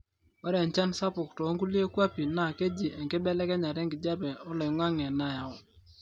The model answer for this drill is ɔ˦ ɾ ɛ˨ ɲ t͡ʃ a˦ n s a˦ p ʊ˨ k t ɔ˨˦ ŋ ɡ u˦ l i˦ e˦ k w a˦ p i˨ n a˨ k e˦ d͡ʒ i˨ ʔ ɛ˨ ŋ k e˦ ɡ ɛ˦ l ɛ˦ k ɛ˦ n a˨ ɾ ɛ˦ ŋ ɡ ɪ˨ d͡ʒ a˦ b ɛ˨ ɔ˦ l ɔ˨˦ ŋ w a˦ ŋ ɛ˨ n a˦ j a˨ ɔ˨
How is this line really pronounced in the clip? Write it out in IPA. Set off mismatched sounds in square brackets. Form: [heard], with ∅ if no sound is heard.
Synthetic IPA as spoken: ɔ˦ ɾ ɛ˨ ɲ t͡ʃ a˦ n s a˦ p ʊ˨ k t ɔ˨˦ ŋ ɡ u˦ l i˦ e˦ k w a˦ p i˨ n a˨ k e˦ d͡ʒ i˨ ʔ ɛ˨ ŋ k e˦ [b] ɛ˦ l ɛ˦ k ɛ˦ [ɲ] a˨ ɾ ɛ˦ ŋ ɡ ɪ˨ d͡ʒ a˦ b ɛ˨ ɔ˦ l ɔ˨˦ ŋ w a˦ ŋ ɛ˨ n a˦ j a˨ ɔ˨